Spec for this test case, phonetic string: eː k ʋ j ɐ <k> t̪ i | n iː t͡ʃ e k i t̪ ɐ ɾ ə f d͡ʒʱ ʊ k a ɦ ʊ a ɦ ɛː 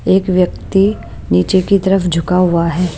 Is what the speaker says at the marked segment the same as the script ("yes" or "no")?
yes